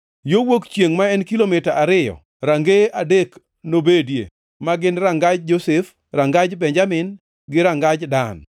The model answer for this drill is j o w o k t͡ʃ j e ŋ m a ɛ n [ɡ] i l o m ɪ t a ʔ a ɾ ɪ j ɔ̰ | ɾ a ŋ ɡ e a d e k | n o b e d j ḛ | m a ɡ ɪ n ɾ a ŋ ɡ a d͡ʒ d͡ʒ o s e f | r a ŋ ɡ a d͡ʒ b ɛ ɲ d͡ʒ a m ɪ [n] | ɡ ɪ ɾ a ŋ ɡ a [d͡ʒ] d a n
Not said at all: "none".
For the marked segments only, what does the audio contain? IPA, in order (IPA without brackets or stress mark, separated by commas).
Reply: k, n, d͡ʒ